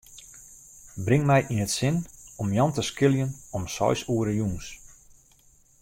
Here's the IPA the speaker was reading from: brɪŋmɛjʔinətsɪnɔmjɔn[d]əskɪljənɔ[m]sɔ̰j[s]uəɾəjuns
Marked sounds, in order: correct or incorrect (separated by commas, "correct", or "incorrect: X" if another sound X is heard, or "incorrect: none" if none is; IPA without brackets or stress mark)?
incorrect: t, correct, correct